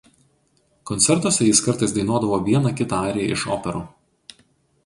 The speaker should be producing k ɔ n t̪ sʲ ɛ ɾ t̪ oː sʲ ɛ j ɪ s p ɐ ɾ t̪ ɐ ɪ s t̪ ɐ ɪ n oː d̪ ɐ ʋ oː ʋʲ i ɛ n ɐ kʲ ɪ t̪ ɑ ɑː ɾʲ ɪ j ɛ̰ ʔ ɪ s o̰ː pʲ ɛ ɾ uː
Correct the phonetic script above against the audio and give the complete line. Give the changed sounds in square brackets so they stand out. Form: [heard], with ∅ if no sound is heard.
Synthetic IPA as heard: k ɔ n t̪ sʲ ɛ ɾ t̪ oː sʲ ɛ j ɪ s [k] ɐ ɾ t̪ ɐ ɪ s [d̪] ɐ ɪ n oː d̪ ɐ ʋ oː ʋʲ i ɛ n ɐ kʲ ɪ t̪ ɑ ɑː ɾʲ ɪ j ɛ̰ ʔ ɪ [ʃ] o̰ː pʲ ɛ ɾ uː